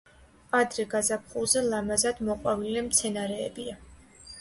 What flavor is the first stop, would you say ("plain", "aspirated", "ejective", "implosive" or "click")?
plain